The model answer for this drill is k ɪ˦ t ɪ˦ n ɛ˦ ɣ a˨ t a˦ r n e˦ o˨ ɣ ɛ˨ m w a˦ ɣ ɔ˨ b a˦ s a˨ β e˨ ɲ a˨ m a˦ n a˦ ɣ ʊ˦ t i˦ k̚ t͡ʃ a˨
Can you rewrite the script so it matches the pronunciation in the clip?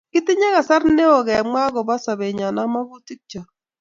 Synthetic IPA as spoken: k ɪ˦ t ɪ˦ ɲ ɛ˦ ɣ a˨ s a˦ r n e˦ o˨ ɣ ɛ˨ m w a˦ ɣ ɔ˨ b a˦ s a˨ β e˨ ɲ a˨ n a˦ m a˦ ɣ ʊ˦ t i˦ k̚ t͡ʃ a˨